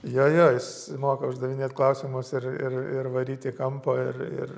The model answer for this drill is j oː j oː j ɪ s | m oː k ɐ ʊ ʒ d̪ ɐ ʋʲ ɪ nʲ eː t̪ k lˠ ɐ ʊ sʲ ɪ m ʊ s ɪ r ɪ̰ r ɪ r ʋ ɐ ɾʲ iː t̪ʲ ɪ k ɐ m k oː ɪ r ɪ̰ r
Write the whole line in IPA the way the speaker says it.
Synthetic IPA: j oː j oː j ɪ s | m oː k ɐ ʊ ʒ d̪ ɐ ʋʲ ɪ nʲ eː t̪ k lˠ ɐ ʊ sʲ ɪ m ʊ s ɪ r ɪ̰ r ɪ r ʋ ɐ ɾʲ iː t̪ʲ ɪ k ɐ m p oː ɪ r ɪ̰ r